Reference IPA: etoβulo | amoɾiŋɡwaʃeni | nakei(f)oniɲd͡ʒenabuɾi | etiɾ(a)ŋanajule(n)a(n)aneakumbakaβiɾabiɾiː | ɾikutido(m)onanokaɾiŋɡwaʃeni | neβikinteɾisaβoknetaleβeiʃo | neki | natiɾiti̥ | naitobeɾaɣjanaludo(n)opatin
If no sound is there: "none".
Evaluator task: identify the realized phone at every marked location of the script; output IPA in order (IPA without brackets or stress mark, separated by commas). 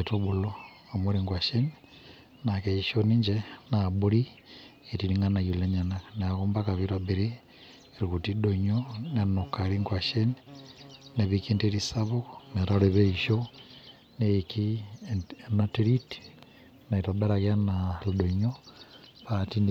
ʃ, i, ɲ, n, ɲ, ɲ